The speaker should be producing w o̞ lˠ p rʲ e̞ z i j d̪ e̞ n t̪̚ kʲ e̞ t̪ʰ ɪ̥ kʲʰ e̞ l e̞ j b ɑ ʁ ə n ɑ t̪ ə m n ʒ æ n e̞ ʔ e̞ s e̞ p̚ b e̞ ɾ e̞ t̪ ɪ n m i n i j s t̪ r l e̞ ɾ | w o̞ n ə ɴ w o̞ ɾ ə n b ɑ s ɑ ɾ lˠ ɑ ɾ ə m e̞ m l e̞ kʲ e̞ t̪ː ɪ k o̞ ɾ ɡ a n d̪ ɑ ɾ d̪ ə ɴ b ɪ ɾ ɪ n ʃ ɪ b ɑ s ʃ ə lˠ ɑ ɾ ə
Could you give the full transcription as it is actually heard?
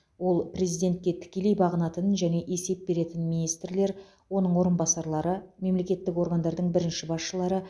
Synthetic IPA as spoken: w o̞ lˠ p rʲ e̞ z i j d̪ e̞ n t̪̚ kʲ e̞ t̪ʰ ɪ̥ kʲ e̞ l e̞ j b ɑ ʁ ə n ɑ t̪ ə n ʒ æ n e̞ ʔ e̞ s e̞ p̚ b e̞ ɾ e̞ t̪ ɪ n m i n i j s t̪ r l e̞ ɾ | w o̞ n ə ɴ w o̞ ɾ ə n b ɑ s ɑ ɾ lˠ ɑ ɾ ə m e̞ m l e̞ kʲ e̞ t̪ː ɪ k o̞ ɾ ɡ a n d̪ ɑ ɾ d̪ ə ɴ b ɪ ɾ ɪ n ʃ ɪ b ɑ s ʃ ə lˠ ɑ ɾ ə